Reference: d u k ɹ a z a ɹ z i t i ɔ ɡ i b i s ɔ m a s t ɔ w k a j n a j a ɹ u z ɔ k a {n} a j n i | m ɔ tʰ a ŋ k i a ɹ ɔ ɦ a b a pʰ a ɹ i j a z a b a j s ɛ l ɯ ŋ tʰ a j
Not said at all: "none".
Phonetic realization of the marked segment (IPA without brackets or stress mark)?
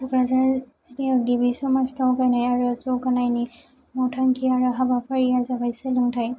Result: n